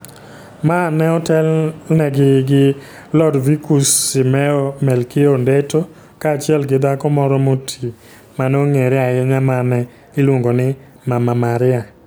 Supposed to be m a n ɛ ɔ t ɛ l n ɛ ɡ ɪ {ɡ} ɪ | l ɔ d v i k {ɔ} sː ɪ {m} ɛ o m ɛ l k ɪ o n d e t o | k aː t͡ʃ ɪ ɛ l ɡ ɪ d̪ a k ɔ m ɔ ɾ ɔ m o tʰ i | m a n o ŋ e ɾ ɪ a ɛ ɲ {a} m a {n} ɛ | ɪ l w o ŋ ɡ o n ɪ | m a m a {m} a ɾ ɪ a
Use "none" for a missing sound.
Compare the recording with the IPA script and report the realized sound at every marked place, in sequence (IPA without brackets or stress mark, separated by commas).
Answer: ɡ, u, m, a, n, m